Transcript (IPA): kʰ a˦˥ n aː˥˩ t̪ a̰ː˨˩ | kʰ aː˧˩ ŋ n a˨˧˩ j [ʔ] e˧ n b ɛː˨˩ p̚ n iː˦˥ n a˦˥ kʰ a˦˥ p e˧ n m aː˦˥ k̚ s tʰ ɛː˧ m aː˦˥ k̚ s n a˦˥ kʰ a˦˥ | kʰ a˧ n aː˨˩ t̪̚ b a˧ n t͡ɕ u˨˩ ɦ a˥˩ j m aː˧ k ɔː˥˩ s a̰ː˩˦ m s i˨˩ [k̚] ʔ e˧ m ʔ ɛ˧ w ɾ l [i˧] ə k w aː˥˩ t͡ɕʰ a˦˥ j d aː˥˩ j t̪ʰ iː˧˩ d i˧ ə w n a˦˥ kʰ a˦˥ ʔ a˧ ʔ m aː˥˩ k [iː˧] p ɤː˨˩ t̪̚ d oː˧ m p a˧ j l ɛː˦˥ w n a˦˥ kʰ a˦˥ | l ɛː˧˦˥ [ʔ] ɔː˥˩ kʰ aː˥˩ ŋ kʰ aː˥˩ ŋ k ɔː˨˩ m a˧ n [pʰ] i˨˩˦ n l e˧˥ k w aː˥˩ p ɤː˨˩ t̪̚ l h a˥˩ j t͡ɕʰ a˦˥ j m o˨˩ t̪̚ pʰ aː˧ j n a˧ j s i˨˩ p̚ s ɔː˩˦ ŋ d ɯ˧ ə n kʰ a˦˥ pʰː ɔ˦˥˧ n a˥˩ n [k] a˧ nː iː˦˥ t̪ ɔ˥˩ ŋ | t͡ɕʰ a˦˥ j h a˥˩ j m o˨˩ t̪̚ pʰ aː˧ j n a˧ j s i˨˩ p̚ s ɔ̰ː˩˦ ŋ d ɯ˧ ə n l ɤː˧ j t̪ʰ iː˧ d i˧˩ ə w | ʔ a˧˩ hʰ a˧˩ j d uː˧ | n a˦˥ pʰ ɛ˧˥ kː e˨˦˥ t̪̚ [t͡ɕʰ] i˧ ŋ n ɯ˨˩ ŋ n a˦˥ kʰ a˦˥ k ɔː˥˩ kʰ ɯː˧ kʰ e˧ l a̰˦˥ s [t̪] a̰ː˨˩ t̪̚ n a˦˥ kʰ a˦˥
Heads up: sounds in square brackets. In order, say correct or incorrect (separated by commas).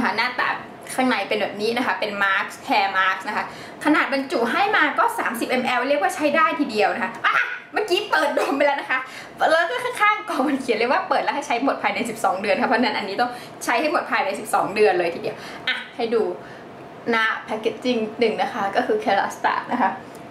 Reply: incorrect, incorrect, incorrect, incorrect, incorrect, incorrect, incorrect, incorrect, correct